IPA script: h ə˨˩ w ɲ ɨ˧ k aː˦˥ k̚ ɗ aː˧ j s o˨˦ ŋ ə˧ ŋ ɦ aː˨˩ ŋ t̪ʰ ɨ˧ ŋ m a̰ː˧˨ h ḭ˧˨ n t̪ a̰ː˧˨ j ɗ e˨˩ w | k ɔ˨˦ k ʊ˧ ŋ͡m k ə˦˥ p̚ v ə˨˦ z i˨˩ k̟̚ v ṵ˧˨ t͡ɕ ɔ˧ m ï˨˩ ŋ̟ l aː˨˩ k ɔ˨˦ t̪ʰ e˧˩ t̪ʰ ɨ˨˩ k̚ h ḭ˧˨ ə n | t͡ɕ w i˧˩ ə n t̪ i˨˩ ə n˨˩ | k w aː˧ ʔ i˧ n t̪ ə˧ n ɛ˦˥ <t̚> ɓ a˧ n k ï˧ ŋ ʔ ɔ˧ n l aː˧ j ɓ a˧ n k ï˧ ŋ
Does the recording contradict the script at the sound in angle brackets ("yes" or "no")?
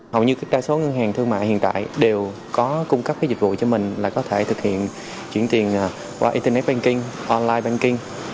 no